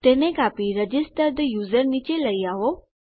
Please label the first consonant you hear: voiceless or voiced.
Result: voiceless